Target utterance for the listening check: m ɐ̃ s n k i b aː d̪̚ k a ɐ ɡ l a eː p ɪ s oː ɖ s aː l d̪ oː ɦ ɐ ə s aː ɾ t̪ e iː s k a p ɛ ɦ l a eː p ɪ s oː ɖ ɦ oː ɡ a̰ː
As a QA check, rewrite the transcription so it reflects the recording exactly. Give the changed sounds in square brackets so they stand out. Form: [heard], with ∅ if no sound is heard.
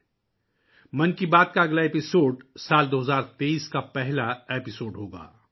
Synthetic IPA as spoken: m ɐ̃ [∅] n k i b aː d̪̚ k a ɐ ɡ l a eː p ɪ s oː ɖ s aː l d̪ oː ɦ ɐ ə [z] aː ɾ t̪ e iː s k a p ɛ ɦ l a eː p ɪ s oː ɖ ɦ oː ɡ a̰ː

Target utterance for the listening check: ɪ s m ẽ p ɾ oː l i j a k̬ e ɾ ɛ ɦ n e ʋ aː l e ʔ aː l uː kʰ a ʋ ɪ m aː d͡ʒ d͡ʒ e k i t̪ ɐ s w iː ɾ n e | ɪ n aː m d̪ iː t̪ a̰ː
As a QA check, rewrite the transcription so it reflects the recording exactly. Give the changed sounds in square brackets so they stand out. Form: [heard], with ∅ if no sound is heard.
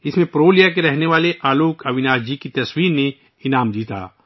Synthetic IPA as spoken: ɪ s m ẽ p ɾ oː l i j a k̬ e ɾ ɛ ɦ n e ʋ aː l e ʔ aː l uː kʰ [ɐ] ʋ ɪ [n] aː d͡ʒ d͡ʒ [i] k i t̪ ɐ s w iː ɾ n e | ɪ n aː m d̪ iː t̪ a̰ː

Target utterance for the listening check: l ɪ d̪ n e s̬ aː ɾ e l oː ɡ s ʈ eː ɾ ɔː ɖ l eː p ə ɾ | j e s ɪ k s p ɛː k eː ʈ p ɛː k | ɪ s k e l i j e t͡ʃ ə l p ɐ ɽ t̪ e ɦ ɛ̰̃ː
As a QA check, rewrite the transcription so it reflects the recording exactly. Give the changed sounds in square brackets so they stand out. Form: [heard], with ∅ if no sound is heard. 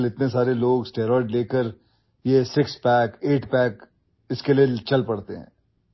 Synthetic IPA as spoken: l ɪ [t̪] n e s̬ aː ɾ e l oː ɡ s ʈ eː ɾ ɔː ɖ l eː [k] ə ɾ | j e s ɪ k s p ɛː k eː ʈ p ɛː k | ɪ s k e l i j e t͡ʃ [ɐ] l p ɐ ɽ t̪ e ɦ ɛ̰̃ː

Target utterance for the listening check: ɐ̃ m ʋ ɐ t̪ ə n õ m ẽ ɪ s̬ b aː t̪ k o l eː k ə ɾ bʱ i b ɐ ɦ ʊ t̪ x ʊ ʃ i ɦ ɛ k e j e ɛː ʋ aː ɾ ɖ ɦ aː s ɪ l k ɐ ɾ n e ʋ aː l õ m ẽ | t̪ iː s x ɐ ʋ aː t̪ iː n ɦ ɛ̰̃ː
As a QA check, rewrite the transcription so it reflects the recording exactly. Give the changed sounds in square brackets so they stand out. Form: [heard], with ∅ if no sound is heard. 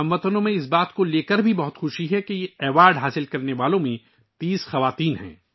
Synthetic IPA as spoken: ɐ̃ m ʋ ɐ t̪ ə n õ m ẽ ɪ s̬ b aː t̪ k o l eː k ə ɾ bʱ i b ɐ ɦ ʊ t̪ x ʊ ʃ i ɦ ɛ k e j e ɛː ʋ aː ɾ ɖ ɦ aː s ɪ l k ɐ ɾ n e ʋ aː l õ m ẽ | t̪ iː s x ɐ ʋ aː t̪ iː n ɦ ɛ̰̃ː

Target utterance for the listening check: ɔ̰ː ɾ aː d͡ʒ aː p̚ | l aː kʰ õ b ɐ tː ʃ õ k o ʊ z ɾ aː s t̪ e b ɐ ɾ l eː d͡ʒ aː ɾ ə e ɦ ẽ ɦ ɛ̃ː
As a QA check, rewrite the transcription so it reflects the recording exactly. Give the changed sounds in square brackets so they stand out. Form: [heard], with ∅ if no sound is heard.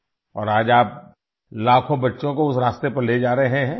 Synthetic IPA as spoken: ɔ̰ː ɾ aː d͡ʒ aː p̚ | l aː kʰ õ b ɐ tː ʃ õ k o ʊ [s] ɾ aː s t̪ e [p] ɐ ɾ l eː d͡ʒ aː ɾ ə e ɦ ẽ ɦ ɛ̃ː

